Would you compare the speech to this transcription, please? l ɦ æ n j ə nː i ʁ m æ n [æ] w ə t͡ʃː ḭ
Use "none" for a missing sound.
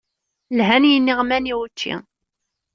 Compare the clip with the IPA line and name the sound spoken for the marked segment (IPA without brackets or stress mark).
i